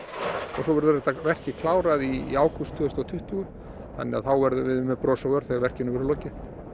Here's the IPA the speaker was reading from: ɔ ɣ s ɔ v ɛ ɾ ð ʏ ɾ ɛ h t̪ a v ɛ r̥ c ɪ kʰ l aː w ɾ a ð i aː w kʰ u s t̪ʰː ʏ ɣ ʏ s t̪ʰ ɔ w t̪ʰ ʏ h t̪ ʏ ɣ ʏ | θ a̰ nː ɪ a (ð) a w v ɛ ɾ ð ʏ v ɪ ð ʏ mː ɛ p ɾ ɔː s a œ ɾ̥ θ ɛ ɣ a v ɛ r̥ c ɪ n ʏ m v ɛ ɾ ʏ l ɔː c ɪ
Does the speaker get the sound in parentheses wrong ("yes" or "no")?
yes